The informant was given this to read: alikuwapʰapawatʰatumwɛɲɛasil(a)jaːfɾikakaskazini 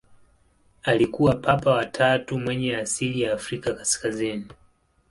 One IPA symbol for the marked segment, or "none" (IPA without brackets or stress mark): i